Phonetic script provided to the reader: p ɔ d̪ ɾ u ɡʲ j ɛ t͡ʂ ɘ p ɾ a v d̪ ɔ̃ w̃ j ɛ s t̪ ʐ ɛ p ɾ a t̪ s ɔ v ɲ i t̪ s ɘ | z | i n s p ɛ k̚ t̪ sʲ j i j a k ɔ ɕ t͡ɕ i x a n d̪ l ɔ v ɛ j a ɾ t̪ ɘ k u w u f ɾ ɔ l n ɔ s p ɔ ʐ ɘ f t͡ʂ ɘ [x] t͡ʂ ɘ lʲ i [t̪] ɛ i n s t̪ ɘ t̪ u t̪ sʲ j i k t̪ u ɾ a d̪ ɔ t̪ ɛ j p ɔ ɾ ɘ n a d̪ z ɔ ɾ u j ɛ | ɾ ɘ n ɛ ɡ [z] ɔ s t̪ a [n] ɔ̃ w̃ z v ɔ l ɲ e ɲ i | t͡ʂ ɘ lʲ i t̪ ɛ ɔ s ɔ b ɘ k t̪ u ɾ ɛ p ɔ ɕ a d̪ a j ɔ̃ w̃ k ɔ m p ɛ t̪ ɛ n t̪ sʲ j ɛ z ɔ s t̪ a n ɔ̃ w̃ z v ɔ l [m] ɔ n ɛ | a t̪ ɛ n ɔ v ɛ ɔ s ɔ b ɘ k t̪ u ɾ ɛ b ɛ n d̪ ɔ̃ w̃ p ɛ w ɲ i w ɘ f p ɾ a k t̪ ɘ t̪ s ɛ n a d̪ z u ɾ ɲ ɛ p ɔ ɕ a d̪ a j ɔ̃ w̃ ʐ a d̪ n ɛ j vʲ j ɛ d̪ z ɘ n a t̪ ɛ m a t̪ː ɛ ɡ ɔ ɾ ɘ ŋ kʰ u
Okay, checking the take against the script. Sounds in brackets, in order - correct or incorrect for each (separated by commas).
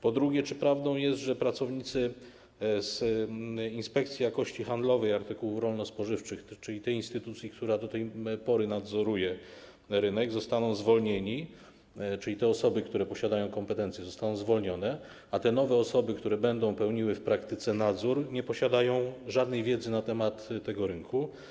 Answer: correct, correct, correct, correct, incorrect